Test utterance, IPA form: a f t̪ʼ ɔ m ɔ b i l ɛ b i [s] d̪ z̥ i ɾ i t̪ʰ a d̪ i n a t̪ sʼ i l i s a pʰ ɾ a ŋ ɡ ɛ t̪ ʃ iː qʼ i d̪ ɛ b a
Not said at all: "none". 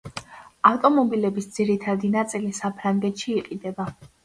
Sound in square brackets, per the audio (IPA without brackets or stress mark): s